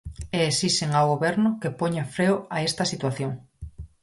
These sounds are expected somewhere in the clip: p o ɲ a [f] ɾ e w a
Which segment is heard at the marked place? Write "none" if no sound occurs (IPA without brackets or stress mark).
f